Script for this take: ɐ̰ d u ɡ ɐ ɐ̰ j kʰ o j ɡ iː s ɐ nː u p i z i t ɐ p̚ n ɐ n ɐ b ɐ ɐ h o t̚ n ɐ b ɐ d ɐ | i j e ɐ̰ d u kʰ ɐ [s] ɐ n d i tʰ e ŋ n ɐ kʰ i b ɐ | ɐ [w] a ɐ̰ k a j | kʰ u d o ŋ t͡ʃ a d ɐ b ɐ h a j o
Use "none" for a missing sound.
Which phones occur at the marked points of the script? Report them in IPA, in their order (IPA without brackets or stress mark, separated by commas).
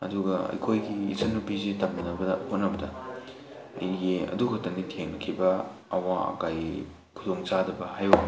t, w